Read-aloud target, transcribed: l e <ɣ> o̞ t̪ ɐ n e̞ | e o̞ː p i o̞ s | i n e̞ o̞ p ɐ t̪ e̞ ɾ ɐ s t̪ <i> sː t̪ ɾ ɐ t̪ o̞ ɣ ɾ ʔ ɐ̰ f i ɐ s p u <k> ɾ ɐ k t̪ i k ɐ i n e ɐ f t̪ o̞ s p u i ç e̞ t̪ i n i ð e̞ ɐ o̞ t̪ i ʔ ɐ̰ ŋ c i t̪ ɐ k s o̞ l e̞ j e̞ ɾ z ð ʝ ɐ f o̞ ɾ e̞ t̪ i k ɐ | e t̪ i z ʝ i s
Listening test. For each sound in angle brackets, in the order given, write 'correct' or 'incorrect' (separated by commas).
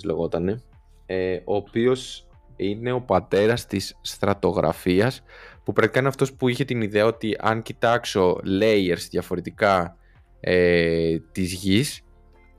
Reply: correct, correct, incorrect